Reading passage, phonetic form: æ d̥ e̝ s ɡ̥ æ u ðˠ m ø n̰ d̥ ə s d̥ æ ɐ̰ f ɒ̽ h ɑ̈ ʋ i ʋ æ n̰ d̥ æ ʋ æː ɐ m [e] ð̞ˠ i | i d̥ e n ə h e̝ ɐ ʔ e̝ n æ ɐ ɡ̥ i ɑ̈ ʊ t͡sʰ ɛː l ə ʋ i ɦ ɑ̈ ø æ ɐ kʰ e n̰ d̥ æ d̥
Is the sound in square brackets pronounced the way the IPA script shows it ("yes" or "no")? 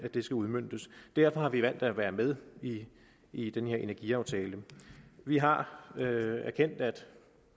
yes